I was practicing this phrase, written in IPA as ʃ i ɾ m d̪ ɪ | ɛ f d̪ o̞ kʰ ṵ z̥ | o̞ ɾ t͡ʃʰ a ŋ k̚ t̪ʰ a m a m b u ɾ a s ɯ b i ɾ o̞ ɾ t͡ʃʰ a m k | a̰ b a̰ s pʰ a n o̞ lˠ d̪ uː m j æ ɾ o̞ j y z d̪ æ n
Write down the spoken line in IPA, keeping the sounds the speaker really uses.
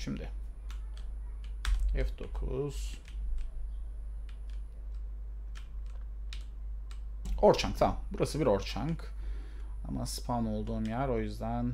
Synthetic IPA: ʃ i m d̪ ɪ | ɛ f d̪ o̞ kʰ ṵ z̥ | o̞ ɾ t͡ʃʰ a ŋ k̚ t̪ʰ a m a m b u ɾ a s ɯ b i ɾ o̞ ɾ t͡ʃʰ a ŋ k | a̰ m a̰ s pʰ a n o̞ lˠ d̪ uː m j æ ɾ o̞ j y z d̪ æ n